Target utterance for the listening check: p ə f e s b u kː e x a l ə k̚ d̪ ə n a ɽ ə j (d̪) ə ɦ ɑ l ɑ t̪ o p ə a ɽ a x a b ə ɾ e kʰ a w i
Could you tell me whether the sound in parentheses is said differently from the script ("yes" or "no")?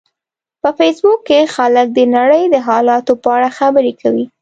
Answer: no